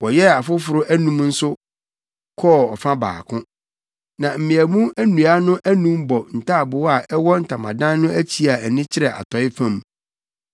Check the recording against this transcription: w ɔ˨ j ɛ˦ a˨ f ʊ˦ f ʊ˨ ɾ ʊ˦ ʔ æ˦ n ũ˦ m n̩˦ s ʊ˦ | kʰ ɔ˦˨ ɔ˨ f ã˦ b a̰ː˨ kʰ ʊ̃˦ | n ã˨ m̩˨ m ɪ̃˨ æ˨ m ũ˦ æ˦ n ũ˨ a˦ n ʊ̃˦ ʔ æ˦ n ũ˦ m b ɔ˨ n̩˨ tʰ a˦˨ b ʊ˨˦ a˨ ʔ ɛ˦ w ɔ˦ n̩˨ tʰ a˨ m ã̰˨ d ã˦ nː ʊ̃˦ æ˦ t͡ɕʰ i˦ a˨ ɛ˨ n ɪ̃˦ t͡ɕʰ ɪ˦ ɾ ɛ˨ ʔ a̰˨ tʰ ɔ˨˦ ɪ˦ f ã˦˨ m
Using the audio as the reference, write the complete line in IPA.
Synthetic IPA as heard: w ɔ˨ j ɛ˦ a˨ f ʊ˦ f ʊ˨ ɾ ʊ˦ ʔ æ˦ n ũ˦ m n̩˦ s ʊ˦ | kʰ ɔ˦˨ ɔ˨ f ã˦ b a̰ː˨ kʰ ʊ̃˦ | n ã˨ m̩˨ m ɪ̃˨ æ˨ m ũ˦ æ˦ n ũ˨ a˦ n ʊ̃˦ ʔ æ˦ n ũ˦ m b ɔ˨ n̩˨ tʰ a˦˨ b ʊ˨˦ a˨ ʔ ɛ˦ w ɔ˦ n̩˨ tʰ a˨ m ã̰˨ d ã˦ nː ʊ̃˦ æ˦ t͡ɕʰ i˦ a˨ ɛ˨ n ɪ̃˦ t͡ɕʰ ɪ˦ ɾ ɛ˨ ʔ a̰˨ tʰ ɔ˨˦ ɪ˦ f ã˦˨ m